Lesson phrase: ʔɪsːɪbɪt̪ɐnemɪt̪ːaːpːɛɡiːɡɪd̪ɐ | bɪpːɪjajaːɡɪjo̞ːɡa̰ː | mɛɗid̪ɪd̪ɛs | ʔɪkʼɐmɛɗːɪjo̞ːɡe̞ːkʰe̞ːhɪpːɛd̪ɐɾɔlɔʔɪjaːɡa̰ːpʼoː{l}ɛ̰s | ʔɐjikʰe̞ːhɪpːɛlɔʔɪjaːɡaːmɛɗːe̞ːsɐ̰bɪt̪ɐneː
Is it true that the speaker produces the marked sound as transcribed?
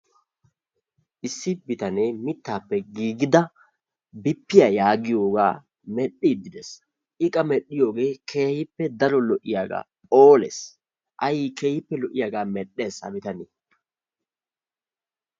yes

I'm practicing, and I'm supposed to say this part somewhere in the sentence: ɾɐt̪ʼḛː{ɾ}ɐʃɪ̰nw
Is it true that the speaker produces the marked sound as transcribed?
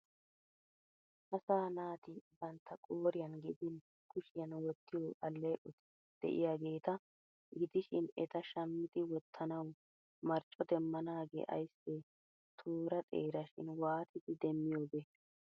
yes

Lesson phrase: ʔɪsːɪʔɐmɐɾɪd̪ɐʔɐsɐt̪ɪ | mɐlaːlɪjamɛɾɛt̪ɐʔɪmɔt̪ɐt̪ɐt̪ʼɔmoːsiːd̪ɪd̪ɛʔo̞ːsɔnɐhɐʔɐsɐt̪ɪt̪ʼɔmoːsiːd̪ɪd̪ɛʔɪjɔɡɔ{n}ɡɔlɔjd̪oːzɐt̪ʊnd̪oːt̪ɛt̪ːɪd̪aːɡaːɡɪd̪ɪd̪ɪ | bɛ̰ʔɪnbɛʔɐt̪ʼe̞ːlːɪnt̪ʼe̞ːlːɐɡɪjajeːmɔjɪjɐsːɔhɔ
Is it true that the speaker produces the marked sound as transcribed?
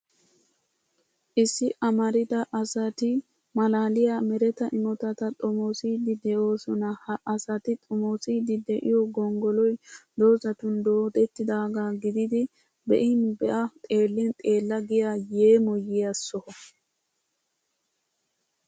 no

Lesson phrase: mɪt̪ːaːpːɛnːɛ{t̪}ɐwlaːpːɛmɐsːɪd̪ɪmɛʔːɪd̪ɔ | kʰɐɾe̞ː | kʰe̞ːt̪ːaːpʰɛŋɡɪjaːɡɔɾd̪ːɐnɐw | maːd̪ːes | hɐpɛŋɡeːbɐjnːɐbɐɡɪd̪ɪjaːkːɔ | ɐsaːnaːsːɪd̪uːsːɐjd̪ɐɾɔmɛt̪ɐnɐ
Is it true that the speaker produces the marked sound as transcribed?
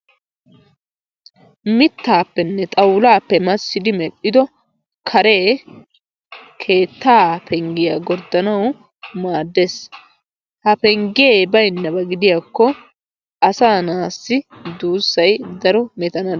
no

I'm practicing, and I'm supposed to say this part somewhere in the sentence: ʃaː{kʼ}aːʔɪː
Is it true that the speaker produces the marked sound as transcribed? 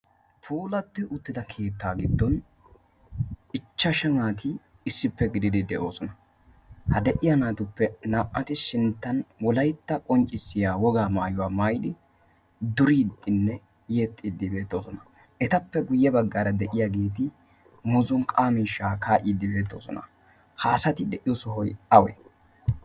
no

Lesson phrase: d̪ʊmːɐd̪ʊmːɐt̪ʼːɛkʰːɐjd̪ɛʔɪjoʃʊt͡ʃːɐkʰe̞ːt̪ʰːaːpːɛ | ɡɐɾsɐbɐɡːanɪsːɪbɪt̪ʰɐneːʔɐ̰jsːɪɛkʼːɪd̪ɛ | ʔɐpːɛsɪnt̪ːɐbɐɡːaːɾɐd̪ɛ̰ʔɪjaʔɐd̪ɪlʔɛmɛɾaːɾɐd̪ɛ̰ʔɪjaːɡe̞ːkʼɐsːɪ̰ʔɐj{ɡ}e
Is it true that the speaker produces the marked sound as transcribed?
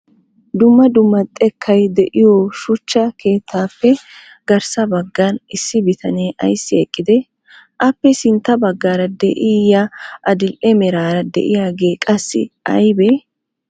no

